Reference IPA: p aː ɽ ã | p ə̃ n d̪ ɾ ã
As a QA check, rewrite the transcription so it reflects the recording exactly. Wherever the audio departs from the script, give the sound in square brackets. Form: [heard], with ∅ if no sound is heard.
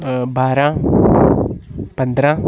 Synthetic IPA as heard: [b] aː [ɾ] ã | p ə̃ n d̪ ɾ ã